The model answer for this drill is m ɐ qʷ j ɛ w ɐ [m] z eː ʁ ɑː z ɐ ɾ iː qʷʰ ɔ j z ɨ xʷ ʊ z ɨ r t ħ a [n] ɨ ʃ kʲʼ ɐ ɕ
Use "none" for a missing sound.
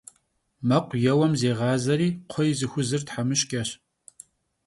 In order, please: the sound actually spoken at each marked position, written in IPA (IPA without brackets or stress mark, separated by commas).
m, m